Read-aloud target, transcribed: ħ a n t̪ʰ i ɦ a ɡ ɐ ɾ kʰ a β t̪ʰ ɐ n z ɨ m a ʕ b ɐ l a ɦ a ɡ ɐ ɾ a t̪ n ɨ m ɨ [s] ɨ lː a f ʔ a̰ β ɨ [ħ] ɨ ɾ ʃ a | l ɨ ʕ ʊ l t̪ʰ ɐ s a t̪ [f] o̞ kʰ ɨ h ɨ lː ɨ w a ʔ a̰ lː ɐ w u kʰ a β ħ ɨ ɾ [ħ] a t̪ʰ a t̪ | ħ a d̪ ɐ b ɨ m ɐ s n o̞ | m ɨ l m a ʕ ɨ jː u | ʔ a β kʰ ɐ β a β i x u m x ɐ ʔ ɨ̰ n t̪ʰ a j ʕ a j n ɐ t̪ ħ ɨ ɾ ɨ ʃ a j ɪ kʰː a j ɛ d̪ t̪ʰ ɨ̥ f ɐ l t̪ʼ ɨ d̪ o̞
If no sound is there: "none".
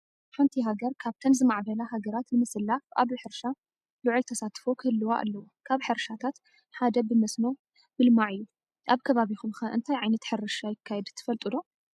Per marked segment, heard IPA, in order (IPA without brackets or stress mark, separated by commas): s, ħ, f, ʃ